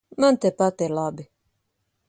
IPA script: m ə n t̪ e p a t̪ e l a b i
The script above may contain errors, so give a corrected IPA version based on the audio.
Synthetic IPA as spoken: m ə n t̪ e p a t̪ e l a b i